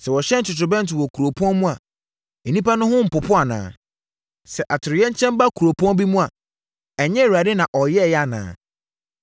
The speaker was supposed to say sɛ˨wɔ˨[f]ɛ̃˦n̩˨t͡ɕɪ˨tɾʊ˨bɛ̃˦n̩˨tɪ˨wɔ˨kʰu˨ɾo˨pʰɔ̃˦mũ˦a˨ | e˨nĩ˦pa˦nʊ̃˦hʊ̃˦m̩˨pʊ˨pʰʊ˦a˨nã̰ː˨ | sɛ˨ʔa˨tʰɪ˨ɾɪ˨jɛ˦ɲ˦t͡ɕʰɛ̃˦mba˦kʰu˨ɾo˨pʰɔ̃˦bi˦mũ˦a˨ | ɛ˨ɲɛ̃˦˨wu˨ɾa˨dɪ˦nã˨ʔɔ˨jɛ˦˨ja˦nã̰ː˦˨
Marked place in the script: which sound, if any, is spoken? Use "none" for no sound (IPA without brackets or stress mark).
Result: ɕ